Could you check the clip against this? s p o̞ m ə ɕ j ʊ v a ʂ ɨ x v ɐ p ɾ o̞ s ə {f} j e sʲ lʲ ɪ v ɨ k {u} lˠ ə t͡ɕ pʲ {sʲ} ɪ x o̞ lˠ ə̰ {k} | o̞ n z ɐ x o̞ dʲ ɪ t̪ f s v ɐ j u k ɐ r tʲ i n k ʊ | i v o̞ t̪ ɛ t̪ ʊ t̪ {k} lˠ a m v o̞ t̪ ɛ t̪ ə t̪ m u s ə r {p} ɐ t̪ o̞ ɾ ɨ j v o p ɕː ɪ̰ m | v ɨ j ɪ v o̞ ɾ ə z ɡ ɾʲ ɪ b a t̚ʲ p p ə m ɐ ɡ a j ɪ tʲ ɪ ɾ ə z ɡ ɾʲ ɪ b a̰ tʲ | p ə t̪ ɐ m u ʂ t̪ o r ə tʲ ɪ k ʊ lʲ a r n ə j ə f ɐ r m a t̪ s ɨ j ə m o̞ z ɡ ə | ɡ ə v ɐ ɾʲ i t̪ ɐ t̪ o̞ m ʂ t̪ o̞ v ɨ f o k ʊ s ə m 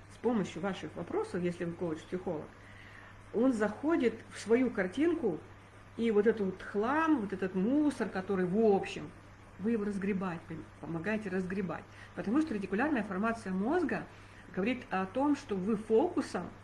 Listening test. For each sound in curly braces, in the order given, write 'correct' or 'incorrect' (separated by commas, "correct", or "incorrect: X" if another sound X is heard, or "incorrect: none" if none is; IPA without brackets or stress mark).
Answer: correct, incorrect: o, correct, correct, incorrect: x, incorrect: k